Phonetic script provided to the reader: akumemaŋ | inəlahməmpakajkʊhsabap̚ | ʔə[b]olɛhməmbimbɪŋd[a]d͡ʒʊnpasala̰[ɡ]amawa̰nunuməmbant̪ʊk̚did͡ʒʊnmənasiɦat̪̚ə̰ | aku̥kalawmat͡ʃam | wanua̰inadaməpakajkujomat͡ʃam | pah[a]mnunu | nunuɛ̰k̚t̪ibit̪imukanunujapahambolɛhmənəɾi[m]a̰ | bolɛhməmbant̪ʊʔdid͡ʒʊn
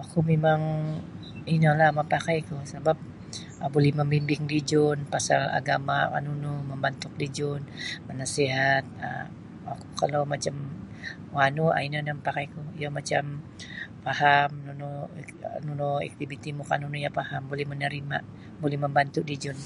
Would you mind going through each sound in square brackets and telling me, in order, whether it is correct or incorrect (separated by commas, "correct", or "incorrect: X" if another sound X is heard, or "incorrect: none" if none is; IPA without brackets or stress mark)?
correct, incorrect: i, correct, correct, correct